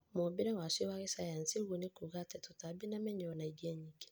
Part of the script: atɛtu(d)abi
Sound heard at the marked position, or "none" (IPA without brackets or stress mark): t